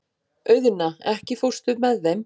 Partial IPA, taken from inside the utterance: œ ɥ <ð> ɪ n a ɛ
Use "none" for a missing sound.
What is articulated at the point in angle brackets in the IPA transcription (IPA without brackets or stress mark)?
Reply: ð